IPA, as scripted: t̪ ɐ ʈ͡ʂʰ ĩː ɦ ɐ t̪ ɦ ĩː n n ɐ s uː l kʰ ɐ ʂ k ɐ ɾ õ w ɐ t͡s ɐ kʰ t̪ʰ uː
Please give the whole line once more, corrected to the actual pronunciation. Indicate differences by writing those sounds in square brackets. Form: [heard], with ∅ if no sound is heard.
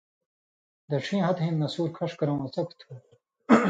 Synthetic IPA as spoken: [d̪] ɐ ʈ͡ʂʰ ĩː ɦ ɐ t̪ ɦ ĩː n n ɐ s uː [ɾ] kʰ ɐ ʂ k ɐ ɾ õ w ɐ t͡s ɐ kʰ t̪ʰ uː